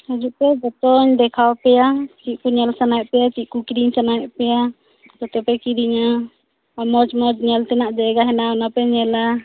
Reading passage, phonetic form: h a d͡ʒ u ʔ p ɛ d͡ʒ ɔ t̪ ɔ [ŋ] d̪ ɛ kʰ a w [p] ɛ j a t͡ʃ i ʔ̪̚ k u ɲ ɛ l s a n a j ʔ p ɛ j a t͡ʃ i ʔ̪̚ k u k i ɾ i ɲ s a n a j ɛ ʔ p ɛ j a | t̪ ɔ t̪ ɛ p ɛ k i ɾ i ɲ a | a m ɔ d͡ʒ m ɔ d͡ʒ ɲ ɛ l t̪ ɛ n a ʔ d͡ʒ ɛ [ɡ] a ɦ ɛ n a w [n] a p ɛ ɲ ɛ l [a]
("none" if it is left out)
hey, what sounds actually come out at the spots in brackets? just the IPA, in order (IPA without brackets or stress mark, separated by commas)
ɲ, p, ɡ, n, a